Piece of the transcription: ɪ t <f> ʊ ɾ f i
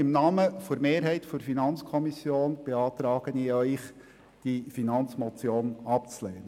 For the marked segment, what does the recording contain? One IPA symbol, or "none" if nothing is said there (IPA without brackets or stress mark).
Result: f